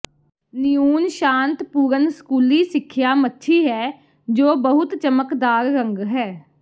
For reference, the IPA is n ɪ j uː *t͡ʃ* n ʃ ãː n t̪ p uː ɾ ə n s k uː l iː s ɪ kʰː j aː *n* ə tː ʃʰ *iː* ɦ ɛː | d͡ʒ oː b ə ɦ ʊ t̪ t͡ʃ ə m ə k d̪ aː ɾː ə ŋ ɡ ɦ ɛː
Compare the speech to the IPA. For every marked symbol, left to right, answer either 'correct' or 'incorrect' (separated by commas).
incorrect, incorrect, correct